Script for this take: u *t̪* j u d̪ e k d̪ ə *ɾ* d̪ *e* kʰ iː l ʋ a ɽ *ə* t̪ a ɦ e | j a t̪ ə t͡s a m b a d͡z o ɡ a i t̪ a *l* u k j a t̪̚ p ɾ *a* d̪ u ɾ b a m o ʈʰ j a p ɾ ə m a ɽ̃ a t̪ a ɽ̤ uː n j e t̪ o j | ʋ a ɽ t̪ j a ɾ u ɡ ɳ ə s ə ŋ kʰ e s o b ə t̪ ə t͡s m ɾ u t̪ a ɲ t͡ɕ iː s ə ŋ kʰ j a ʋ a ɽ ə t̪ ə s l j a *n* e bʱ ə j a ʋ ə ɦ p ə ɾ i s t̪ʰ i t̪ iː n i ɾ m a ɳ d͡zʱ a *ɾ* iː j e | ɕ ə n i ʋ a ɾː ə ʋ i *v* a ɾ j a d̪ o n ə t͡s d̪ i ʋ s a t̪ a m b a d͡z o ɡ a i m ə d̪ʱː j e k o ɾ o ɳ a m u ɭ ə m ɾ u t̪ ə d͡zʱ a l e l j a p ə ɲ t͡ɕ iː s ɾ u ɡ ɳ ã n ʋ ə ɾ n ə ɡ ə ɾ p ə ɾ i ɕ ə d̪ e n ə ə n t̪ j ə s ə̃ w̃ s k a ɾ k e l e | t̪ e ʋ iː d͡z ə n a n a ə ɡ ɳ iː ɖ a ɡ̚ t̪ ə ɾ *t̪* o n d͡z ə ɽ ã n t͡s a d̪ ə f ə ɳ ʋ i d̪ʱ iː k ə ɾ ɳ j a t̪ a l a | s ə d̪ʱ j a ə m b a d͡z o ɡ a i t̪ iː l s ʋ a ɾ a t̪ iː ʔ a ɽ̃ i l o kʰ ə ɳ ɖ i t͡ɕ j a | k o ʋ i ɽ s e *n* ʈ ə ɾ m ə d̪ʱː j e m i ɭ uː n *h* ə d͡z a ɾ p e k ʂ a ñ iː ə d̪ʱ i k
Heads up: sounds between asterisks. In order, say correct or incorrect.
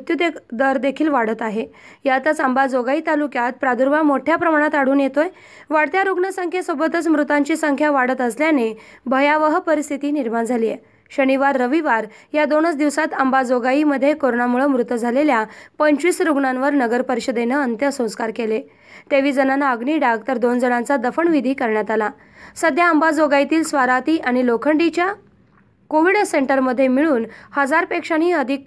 correct, correct, correct, correct, correct, correct, correct, incorrect: l, incorrect: ʋ, incorrect: d̪, incorrect: ɳ, correct

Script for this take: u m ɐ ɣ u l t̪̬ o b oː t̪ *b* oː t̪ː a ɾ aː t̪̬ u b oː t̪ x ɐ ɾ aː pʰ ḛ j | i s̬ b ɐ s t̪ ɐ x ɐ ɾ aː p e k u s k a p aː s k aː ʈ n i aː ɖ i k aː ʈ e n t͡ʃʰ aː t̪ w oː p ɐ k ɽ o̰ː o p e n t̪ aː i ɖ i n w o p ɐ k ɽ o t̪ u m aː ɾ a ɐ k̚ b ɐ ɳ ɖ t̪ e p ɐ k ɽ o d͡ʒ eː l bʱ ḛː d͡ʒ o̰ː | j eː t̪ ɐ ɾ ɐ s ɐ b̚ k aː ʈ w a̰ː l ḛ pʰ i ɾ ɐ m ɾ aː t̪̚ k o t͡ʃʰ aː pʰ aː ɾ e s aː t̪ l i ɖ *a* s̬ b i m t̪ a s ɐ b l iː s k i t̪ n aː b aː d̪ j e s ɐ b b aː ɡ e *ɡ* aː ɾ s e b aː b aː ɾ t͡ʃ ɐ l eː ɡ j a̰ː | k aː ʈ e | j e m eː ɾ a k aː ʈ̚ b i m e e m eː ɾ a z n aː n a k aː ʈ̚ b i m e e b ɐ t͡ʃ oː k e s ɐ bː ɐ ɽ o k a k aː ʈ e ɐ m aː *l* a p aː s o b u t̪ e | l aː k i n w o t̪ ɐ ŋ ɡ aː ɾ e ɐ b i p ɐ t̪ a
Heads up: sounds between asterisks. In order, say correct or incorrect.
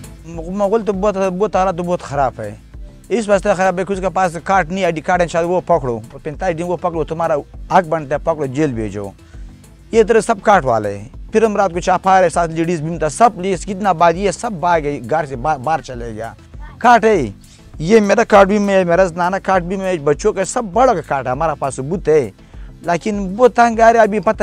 correct, incorrect: i, correct, incorrect: ɾ

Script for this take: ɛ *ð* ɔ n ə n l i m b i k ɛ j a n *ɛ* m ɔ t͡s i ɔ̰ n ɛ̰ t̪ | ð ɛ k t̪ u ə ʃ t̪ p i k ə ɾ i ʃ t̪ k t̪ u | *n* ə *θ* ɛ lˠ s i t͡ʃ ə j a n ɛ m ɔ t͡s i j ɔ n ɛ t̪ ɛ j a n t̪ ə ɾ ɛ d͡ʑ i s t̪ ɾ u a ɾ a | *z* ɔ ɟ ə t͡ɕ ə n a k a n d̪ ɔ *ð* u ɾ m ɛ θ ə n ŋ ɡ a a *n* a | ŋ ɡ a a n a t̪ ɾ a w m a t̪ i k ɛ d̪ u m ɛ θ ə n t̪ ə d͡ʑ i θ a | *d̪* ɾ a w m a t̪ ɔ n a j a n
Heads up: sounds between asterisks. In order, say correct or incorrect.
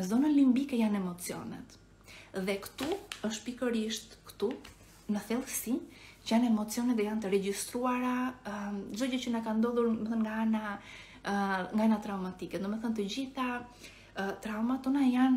incorrect: z, correct, correct, correct, correct, correct, correct, incorrect: t̪

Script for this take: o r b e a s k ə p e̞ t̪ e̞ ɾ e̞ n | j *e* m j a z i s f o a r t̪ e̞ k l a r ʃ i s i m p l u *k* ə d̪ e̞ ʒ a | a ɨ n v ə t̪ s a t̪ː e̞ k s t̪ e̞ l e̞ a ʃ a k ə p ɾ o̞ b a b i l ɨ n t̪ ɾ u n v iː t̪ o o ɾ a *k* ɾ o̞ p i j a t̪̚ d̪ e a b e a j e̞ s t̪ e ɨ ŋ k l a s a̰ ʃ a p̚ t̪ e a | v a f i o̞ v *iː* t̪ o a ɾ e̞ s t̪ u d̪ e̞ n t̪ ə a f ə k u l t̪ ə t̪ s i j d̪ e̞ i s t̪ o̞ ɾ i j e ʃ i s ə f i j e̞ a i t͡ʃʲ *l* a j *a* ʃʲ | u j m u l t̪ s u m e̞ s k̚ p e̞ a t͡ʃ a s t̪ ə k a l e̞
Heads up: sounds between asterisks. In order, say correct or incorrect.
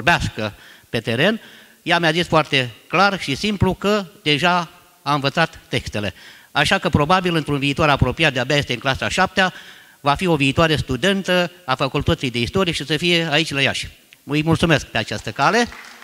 incorrect: a, correct, incorrect: p, correct, correct, correct

